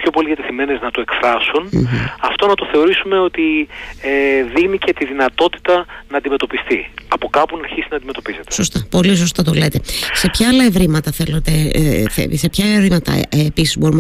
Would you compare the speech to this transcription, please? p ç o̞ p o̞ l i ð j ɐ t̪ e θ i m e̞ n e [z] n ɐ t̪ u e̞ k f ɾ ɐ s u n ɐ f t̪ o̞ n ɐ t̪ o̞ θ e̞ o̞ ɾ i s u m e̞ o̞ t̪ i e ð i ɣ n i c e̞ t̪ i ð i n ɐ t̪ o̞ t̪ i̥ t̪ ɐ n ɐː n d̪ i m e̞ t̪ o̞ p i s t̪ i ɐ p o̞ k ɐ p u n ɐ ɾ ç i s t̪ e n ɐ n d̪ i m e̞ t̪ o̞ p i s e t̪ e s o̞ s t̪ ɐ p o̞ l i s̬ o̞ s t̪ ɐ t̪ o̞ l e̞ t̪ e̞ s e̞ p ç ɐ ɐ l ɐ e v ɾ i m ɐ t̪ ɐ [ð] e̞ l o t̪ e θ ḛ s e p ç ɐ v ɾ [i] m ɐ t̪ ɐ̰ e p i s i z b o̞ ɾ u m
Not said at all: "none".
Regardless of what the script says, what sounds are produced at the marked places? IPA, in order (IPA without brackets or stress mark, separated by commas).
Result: z, θ, i